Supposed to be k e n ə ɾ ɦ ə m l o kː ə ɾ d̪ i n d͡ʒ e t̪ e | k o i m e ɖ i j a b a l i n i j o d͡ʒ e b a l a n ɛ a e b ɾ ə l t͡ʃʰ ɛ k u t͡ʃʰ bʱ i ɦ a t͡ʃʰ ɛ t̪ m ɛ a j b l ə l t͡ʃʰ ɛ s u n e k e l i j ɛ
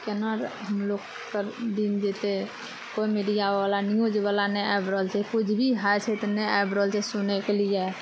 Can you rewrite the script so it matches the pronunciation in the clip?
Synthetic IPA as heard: k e n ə ɾ ɦ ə m l o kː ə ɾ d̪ i n d͡ʒ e t̪ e | k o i m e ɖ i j a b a l a n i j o d͡ʒ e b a l a n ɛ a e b ɾ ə l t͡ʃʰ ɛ k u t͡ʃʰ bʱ i ɦ a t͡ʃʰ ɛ t̪ n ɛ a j b ɾ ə l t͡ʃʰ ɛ s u n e k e l i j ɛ